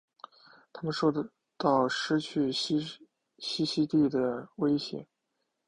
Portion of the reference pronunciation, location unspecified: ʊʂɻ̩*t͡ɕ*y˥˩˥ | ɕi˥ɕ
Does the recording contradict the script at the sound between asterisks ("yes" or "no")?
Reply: yes